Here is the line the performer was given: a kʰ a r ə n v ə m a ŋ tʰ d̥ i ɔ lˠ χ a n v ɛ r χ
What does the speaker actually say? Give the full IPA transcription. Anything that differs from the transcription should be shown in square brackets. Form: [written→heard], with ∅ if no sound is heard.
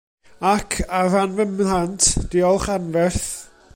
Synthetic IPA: a kʰ a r [ə→a] n v ə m a [ŋ→n] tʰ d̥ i ɔ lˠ χ a n v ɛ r [χ→θ]